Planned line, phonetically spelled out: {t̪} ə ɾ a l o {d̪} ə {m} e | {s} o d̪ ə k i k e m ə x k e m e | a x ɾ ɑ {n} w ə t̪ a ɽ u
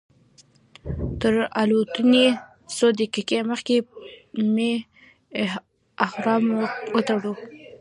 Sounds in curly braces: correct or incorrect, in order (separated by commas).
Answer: correct, incorrect, incorrect, correct, incorrect